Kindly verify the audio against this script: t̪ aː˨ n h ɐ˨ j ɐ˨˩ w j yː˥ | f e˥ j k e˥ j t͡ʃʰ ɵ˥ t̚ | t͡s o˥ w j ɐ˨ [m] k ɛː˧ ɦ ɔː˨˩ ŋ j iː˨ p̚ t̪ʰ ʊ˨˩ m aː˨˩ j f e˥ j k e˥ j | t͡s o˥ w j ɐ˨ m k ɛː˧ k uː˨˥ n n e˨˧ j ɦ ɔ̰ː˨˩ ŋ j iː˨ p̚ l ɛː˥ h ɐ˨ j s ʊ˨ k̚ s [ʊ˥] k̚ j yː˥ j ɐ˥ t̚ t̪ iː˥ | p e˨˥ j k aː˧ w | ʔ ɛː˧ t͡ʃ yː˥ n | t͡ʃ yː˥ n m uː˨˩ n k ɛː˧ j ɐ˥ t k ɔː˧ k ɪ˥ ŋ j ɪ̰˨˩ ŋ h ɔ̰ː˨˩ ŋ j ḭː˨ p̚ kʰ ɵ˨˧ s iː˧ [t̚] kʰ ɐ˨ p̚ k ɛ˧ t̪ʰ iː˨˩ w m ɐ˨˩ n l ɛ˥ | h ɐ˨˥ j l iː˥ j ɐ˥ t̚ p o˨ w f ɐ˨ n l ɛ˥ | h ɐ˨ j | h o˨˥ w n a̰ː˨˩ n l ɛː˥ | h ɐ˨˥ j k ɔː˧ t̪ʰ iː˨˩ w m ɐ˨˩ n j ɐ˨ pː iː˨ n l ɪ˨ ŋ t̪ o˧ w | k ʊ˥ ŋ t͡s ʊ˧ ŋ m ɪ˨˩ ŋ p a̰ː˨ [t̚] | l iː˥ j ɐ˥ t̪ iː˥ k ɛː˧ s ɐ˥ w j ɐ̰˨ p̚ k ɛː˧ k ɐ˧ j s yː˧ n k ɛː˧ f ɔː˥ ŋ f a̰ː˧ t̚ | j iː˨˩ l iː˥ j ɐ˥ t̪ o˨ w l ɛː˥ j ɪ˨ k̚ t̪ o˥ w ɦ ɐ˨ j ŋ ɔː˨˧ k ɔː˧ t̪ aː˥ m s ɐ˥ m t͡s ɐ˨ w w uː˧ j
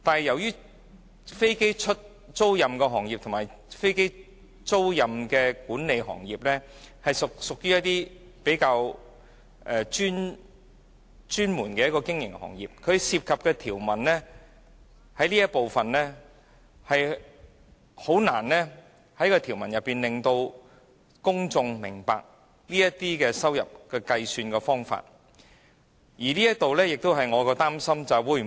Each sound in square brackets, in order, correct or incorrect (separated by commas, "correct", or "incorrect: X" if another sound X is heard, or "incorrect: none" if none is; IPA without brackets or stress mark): correct, incorrect: ʊ˨, incorrect: p̚, incorrect: k̚